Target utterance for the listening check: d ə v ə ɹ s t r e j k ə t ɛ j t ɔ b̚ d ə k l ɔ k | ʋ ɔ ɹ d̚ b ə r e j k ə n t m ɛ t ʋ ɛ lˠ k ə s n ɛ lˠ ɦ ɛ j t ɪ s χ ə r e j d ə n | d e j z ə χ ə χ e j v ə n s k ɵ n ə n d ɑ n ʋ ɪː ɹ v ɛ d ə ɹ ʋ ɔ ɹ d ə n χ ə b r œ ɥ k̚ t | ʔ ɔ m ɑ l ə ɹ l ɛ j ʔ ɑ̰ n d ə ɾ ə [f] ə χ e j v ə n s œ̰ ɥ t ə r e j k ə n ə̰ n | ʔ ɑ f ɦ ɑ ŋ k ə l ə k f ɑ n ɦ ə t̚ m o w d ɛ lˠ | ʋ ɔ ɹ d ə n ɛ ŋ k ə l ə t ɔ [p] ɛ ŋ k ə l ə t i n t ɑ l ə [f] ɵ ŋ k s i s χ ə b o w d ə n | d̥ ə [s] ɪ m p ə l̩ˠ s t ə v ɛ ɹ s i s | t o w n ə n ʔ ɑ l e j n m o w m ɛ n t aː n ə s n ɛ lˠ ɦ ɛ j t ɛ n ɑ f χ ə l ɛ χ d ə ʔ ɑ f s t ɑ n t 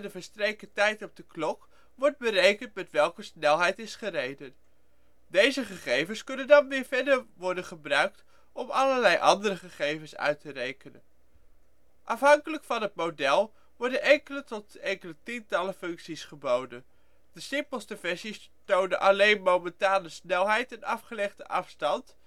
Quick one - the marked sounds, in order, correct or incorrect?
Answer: incorrect: χ, incorrect: t, correct, correct

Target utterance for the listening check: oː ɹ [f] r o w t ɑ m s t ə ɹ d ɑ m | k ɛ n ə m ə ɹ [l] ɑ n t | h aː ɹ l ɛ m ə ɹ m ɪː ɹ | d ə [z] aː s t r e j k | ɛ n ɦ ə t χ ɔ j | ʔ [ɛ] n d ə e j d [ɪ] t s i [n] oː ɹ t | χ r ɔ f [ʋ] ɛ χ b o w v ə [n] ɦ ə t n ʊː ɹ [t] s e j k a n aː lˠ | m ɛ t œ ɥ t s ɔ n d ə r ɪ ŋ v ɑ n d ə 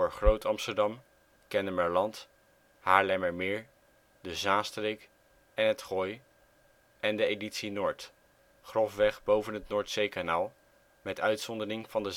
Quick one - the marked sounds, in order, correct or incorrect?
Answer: incorrect: χ, correct, correct, correct, incorrect: i, correct, correct, correct, correct

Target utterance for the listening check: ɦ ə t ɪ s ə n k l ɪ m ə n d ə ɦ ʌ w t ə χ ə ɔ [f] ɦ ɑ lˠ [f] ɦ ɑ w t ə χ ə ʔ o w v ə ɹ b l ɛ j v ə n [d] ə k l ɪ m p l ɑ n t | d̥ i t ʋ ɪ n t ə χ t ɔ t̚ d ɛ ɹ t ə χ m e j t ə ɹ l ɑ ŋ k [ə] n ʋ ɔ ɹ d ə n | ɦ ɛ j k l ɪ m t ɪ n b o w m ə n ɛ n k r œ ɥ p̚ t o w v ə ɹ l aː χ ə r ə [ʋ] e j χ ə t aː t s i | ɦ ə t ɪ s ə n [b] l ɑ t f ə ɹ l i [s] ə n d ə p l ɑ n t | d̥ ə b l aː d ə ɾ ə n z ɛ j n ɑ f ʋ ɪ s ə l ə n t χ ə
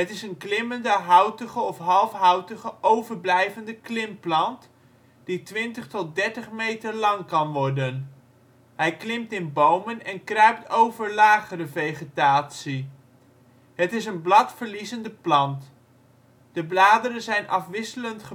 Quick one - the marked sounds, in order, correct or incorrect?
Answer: correct, correct, correct, incorrect: ɑ, incorrect: v, correct, incorrect: z

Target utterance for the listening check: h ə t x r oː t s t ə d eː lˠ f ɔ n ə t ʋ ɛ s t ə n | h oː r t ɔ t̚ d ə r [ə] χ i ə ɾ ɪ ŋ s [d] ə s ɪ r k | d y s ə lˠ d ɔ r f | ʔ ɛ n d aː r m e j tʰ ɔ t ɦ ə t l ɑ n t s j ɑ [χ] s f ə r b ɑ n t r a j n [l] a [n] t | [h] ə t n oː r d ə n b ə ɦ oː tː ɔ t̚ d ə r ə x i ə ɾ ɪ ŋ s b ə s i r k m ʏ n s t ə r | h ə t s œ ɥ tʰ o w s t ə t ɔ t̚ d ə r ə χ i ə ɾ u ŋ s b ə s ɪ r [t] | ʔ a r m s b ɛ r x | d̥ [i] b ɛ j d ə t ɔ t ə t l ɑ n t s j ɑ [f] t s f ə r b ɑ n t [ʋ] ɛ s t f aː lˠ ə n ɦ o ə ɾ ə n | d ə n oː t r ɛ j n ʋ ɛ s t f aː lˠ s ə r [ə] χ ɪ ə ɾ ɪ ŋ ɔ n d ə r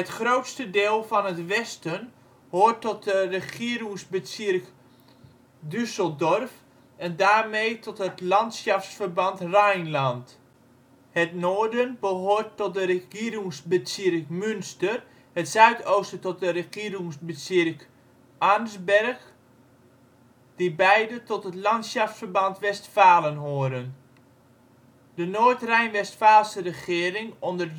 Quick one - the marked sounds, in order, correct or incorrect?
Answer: correct, incorrect: b, incorrect: f, correct, correct, correct, incorrect: k, correct, correct, correct, correct

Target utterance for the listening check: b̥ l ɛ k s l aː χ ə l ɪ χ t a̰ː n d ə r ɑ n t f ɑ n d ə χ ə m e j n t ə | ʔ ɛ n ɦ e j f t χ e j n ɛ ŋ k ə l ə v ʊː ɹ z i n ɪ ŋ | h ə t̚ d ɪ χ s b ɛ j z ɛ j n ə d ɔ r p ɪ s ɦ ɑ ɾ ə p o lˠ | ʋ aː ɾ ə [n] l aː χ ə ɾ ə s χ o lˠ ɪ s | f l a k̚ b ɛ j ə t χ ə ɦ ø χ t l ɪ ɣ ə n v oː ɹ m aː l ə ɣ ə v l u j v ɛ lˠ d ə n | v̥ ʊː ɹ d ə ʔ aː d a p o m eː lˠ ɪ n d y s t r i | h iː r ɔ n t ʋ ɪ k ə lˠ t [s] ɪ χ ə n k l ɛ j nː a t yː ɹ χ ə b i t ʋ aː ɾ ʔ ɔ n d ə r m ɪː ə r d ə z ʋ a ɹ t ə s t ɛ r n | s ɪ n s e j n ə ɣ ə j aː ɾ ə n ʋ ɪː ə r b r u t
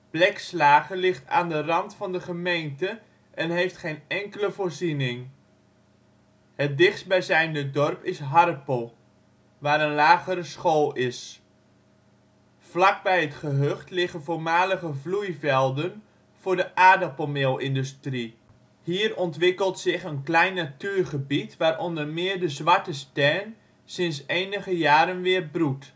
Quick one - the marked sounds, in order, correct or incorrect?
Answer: correct, correct

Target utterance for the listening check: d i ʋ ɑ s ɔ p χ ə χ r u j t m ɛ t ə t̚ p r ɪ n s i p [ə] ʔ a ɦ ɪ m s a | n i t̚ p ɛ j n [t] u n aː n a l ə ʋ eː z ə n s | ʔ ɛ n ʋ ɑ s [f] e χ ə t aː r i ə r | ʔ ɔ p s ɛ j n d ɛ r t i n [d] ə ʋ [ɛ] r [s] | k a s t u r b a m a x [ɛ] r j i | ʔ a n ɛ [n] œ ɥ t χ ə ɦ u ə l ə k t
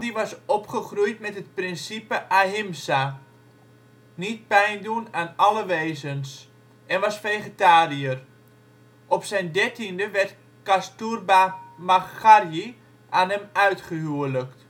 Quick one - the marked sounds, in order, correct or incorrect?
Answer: correct, incorrect: d, correct, correct, correct, incorrect: t, incorrect: a, incorrect: m

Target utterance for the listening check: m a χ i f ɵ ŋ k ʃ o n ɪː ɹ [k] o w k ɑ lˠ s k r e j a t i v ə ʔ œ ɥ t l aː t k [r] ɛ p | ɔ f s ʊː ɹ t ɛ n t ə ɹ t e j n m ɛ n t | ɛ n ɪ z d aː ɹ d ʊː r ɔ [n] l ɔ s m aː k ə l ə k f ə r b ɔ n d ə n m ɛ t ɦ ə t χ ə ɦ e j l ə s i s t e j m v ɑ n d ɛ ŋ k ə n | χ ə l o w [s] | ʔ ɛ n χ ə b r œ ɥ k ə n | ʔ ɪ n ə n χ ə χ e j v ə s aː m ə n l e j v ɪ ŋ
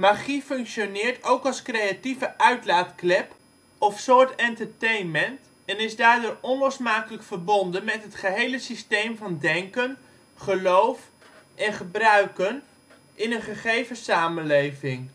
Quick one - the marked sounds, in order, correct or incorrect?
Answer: incorrect: t, incorrect: l, correct, incorrect: f

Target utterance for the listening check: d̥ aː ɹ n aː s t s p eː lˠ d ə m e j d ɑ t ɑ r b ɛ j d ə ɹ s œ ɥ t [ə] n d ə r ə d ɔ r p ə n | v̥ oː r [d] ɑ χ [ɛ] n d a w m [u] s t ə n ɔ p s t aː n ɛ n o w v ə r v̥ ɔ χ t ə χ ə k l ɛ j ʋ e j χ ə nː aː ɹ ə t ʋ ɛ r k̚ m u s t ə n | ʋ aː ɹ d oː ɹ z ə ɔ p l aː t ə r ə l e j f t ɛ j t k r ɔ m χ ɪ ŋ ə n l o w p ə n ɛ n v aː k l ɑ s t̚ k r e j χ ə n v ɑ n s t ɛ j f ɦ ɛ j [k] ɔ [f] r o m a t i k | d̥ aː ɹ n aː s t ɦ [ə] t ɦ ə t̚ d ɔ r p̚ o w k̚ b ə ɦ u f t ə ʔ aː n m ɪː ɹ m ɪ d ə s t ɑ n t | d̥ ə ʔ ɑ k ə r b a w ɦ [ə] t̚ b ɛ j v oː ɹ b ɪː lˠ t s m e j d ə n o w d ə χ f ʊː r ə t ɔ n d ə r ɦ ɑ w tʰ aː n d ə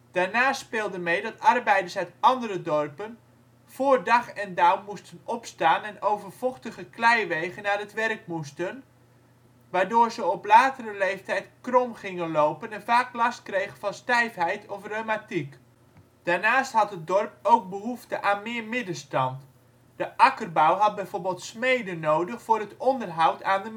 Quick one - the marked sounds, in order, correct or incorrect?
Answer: incorrect: ɑ, correct, correct, correct, incorrect: t, correct, incorrect: ɑ, incorrect: ɑ

